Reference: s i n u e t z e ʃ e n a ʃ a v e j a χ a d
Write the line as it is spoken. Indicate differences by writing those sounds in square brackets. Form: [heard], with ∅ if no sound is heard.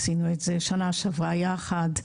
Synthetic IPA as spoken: s i n u e t z e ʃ [a] n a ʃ a v [a] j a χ a d